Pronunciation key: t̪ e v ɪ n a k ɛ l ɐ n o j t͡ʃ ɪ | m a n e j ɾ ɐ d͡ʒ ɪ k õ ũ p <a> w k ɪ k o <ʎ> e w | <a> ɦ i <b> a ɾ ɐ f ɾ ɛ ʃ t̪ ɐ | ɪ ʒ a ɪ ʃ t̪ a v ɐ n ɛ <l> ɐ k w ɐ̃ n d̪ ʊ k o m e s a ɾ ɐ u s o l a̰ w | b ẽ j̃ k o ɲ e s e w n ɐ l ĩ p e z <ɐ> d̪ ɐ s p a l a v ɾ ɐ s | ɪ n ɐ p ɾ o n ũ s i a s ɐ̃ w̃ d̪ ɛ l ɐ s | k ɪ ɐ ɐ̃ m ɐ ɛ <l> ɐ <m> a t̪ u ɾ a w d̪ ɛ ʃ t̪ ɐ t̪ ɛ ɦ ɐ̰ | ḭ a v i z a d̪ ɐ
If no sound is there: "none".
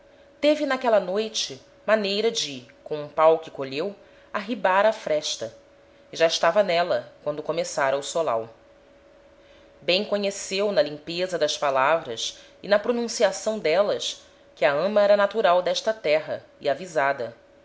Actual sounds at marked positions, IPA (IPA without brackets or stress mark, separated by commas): a, ʎ, a, b, l, ɐ, ɾ, n